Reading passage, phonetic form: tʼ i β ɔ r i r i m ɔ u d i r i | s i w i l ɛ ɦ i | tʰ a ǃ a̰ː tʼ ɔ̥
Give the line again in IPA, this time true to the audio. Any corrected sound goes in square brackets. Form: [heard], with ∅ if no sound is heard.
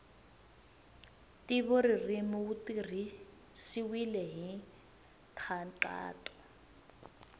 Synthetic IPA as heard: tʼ i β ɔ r i r i m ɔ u [t] i r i | s i w i l ɛ ɦ i | tʰ a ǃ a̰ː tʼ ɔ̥

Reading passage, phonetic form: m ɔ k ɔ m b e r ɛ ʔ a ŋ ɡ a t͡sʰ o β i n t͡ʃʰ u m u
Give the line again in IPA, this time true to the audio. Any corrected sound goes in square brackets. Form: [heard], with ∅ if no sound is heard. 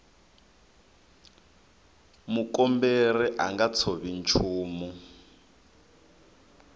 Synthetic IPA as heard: m [u] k ɔ m b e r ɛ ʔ a ŋ ɡ a t͡sʰ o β i n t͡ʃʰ [uː] m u

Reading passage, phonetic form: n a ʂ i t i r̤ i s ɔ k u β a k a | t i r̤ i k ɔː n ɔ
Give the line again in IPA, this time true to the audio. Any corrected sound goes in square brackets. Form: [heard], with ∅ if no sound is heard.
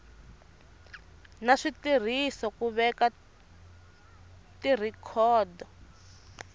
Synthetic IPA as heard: n a ʂ i t i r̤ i s ɔ k u β [ɛ] k a | t i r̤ i [kʰ] ɔː [d] ɔ

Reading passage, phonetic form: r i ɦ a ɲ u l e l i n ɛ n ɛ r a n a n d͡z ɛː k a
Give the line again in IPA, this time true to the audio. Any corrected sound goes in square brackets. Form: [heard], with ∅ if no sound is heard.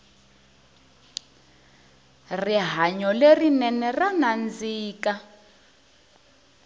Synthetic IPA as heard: r i ɦ a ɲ [ɔ] l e [r] i n ɛ n ɛ r a n a n d͡z [iː] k a

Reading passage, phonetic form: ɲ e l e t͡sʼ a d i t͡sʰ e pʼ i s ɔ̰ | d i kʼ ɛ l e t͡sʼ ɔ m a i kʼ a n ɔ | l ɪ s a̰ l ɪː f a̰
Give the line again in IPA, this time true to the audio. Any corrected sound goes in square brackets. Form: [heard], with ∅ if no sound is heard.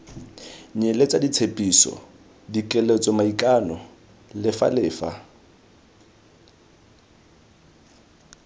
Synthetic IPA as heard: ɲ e l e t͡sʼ a d i t͡sʰ e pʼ i s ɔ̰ | d i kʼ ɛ l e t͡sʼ ɔ m a i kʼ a n ɔ | l ɪ [f] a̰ l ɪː f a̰

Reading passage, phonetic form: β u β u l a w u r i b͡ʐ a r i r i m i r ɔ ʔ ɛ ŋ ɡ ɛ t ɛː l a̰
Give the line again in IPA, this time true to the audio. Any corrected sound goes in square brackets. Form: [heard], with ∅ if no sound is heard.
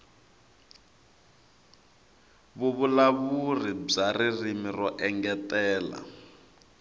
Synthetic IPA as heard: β u β u l a [β] u r i b͡ʐ a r i r i m i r ɔ ʔ ɛ ŋ ɡ ɛ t ɛː l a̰

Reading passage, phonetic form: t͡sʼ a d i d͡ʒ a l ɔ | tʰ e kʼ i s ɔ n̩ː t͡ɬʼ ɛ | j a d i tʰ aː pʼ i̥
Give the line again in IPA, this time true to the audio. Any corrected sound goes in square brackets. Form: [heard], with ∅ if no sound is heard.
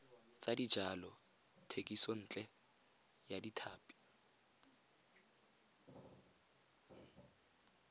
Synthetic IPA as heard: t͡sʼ a d i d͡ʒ a l ɔ | tʰ e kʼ i s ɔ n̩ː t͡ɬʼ ɛ | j a d i tʰ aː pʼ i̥

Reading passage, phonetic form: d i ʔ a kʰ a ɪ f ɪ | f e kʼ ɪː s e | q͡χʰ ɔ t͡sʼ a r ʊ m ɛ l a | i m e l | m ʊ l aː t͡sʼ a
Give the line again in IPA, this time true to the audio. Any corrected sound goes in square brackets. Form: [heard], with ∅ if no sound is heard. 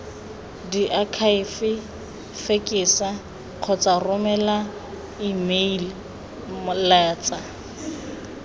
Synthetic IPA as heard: d i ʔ a kʰ a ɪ f ɪ | f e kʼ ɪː s [a] | q͡χʰ ɔ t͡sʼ a r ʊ m ɛ l a | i m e l | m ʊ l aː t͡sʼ a

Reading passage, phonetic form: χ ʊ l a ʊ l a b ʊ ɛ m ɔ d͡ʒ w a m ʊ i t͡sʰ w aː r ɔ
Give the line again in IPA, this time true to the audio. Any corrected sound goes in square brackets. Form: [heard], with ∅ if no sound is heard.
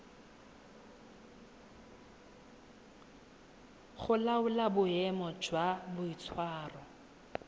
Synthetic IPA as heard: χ ʊ l a ʊ l a b ʊ ɛ m ɔ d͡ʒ w a [b] ʊ i t͡sʰ w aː r ɔ

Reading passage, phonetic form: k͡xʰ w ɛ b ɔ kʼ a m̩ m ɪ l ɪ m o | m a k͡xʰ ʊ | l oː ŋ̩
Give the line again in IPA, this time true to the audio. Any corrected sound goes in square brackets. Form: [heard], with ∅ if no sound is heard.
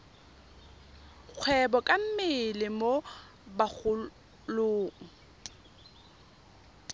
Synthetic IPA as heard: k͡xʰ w ɛ b ɔ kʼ a m̩ m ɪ l ɪ m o | [b] a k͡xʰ ʊ | l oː ŋ̩

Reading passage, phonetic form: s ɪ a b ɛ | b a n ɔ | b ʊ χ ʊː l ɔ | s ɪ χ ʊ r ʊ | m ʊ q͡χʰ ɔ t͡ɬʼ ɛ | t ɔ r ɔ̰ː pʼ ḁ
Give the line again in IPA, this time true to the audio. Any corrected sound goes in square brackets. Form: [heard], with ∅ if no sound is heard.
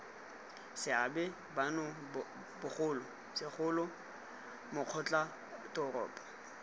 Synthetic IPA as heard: s ɪ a b ɛ | b a n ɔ | b ʊ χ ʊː l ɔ | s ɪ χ ʊ [l] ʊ | m ʊ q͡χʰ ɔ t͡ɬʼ [a] | t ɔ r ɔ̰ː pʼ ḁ

